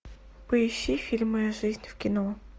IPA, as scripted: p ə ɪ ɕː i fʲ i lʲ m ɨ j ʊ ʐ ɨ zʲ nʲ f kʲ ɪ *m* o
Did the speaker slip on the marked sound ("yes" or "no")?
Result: yes